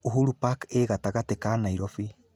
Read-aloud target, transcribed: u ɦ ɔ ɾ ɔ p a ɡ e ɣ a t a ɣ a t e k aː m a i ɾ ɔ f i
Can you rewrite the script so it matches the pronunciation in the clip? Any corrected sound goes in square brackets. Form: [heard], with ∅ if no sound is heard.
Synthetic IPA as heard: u ɦ [u] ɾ [u] p a [k] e ɣ a t a ɣ a t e k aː [n] a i ɾ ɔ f i